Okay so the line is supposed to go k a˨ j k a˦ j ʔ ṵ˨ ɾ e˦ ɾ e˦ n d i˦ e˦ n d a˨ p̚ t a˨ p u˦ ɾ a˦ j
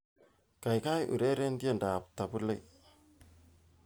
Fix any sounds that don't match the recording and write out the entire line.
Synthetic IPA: k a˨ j k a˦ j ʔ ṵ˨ ɾ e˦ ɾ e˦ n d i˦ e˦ n d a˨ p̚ t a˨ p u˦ l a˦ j